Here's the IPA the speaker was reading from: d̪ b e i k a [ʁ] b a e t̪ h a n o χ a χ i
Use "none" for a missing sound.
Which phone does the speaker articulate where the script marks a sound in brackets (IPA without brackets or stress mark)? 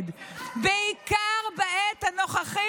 ʁ